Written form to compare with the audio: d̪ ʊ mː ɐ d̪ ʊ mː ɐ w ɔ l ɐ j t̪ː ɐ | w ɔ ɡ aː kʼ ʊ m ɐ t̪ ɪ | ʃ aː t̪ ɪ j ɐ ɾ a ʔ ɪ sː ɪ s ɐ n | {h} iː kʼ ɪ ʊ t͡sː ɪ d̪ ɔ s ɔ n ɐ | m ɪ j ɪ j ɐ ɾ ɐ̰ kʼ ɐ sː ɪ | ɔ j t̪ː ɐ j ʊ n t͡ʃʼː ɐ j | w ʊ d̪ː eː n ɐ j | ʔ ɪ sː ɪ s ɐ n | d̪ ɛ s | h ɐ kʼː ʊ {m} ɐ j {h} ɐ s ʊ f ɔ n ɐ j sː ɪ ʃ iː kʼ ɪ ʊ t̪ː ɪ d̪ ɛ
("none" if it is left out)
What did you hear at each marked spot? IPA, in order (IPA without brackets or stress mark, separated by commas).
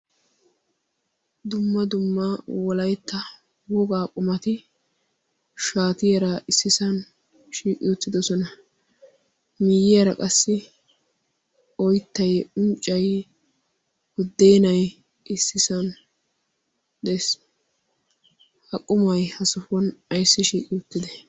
ʃ, m, h